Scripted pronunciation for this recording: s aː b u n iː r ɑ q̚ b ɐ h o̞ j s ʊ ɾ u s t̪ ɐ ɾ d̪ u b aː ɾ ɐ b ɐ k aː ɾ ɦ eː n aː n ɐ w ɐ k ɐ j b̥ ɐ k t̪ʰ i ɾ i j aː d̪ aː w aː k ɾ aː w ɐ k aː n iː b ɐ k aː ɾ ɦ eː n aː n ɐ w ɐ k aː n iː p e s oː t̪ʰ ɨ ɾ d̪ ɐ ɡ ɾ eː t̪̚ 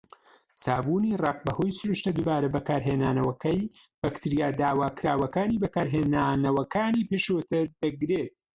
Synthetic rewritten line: s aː b u n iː r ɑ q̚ b ɐ h o̞ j s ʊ ɾ u ʃ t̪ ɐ d̪ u b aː ɾ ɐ b ɐ k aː ɾ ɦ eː n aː n ɐ w ɐ k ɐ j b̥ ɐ k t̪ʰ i ɾ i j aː d̪ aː w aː k ɾ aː w ɐ k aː n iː b ɐ k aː ɾ ɦ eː n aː n ɐ w ɐ k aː n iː p e ʃ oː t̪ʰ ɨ ɾ d̪ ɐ ɡ ɾ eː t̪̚

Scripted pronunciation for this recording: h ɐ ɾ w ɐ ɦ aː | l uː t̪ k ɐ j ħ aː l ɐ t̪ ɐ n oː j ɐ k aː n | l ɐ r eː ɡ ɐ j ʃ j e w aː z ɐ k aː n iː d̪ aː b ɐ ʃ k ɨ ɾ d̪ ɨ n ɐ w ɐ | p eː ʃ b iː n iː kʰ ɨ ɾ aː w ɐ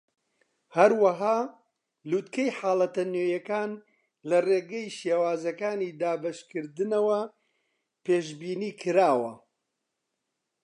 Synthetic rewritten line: h ɐ ɾ w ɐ ɦ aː | l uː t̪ k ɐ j ħ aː l ɐ t̪ ɐ n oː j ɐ k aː n | l ɐ r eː ɡ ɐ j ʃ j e w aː z ɐ k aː n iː d̪ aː b ɐ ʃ k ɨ ɾ d̪ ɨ n ɐ w ɐ | p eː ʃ b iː n iː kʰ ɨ ɾ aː w ɐ

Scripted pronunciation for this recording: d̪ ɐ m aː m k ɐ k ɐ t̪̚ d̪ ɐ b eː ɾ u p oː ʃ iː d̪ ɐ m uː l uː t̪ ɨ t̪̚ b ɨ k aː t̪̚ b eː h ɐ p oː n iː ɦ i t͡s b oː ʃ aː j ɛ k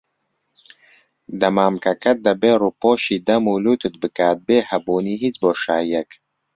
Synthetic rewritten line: d̪ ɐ m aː m k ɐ k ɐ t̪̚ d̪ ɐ b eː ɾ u p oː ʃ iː d̪ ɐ m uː l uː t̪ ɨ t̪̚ b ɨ k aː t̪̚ b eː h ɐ b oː n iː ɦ i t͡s b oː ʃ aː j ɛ k

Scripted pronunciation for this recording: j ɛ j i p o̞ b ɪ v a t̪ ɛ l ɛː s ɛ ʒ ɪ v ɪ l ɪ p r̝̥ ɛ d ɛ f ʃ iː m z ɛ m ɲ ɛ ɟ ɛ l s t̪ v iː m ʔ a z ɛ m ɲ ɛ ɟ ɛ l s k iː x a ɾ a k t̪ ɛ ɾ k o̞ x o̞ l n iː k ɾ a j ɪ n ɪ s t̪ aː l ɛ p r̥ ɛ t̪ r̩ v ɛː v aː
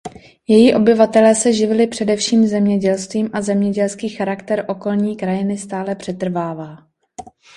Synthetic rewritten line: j ɛ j i ʔ o̞ b ɪ v a t̪ ɛ l ɛː s ɛ ʒ ɪ v ɪ l ɪ p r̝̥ ɛ d ɛ f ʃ iː m z ɛ m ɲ ɛ ɟ ɛ l s t̪ v iː m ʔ a z ɛ m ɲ ɛ ɟ ɛ l s k iː x a ɾ a k t̪ ɛ ɾ ʔ o̞ k o̞ l ɲ iː k ɾ a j ɪ n ɪ s t̪ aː l ɛ p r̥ ɛ t̪ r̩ v aː v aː

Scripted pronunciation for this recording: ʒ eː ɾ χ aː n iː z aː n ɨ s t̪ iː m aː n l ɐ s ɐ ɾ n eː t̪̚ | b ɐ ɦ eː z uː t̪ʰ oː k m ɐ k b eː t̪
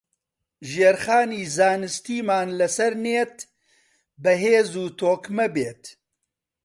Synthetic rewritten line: ʒ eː ɾ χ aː n iː z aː n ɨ s t̪ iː m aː n l ɐ s ɐ ɾ n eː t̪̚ | b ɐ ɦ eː z uː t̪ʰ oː k m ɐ b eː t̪

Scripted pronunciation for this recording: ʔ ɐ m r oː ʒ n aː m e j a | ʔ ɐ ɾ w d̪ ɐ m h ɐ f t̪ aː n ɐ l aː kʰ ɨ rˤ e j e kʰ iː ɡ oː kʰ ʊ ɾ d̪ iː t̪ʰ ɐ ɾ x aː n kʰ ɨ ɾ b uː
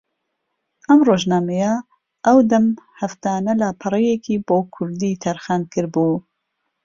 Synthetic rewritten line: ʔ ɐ m r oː ʒ n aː m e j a | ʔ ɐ w d̪ ɐ m h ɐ f t̪ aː n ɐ l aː pʰ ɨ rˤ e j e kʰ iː b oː kʰ ʊ ɾ d̪ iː t̪ʰ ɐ ɾ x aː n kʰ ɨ ɾ b uː

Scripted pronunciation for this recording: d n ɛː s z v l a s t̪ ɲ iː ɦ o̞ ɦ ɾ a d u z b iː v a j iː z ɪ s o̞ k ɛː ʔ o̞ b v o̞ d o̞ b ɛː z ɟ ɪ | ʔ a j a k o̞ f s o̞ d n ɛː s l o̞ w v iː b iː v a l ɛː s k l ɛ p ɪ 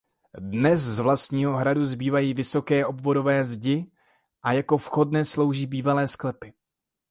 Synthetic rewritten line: d n ɛ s z v l a s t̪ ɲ iː ɦ o̞ ɦ ɾ a d u z b iː v a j iː v ɪ s o̞ k ɛː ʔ o̞ b v o̞ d o̞ v ɛː z ɟ ɪ | ʔ a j a k o̞ f x o̞ d n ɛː s l o̞ w ʒ iː b iː v a l ɛː s k l ɛ p ɪ

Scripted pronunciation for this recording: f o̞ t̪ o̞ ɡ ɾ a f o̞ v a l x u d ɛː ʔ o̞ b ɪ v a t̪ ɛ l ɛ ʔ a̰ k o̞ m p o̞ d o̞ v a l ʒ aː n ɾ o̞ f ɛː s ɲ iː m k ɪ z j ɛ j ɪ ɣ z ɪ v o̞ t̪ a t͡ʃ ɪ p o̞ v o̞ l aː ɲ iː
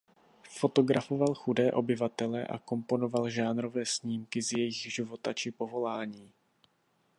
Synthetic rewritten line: f o̞ t̪ o̞ ɡ ɾ a f o̞ v a l x u d ɛː ʔ o̞ b ɪ v a t̪ ɛ l ɛ ʔ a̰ k o̞ m p o̞ n o̞ v a l ʒ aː n ɾ o̞ v ɛː s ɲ iː m k ɪ z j ɛ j ɪ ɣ ʒ ɪ v o̞ t̪ a t͡ʃ ɪ p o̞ v o̞ l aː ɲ iː

